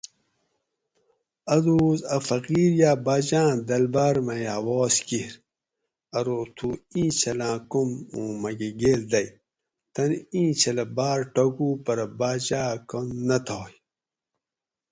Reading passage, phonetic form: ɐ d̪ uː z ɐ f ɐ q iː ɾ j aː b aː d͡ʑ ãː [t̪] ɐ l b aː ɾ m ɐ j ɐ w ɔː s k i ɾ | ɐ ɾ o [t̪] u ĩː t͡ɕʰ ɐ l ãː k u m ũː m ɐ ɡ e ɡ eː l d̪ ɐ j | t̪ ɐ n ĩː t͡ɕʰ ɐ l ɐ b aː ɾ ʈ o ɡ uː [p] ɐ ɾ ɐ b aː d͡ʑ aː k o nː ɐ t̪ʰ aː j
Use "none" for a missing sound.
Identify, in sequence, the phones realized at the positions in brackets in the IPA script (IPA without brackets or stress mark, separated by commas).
d̪, t̪ʰ, p